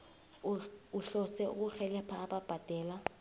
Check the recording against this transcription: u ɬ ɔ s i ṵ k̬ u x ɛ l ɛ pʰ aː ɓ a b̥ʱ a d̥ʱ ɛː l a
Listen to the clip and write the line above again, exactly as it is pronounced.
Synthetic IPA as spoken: u ɬ ɔ s ɛ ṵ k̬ u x ɛ l ɛ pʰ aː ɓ a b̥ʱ a d̥ʱ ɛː l a